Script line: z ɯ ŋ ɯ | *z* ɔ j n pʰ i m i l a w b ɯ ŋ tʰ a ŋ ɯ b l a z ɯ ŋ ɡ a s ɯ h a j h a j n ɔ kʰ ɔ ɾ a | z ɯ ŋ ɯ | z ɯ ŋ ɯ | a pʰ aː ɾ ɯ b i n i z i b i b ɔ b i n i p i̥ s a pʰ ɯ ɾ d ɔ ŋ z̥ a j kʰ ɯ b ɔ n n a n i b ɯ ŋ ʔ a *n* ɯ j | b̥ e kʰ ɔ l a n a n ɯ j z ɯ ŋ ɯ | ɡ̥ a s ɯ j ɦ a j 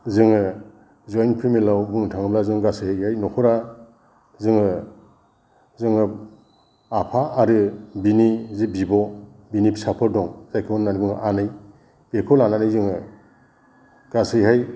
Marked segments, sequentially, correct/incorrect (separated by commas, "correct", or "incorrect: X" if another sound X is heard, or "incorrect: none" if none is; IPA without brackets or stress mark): correct, correct